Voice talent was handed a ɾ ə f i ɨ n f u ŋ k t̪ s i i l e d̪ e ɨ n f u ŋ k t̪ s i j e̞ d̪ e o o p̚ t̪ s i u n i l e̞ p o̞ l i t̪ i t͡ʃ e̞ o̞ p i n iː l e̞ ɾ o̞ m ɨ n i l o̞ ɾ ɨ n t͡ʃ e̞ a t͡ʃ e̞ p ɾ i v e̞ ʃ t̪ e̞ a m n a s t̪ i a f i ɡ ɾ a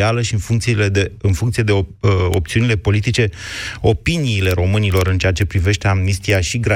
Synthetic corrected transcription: a l ə ʃ i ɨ n f u ŋ k t̪ s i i l e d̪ e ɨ n f u ŋ k t̪ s i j e̞ d̪ e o o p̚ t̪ s i u n i l e̞ p o̞ l i t̪ i t͡ʃ e̞ o̞ p i n iː l e̞ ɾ o̞ m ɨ n i l o̞ ɾ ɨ n t͡ʃ e̞ a t͡ʃ e̞ p ɾ i v e̞ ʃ t̪ e̞ a m n i s t̪ i a ʃ i ɡ ɾ a